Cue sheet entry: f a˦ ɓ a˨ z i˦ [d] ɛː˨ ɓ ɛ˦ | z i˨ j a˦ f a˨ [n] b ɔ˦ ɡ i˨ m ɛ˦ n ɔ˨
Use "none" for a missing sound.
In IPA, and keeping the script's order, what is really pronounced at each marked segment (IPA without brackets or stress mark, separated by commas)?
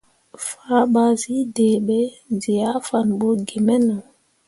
d, n